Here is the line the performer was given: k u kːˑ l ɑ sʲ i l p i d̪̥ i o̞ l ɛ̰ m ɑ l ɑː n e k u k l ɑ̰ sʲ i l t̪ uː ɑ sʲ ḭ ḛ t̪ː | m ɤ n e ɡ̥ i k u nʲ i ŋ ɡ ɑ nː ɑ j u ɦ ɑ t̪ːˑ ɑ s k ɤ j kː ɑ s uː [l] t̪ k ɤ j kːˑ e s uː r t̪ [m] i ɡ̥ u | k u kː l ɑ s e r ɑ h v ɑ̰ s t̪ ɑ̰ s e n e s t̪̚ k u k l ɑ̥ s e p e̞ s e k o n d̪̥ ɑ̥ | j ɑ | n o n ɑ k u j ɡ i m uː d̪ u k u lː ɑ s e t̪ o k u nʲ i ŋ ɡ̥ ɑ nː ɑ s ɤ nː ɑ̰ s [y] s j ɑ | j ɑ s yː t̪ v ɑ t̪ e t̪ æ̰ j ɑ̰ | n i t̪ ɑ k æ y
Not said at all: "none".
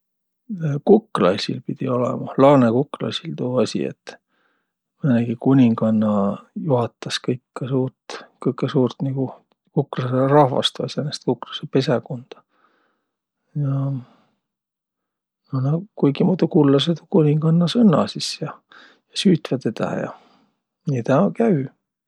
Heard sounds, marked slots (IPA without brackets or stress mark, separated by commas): r, n, i